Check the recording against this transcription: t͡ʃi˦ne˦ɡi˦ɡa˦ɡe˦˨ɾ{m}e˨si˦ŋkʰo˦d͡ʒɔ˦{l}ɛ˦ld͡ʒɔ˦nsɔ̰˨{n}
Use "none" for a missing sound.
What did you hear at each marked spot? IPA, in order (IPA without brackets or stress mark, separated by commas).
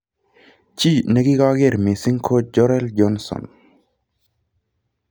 m, ɾ, n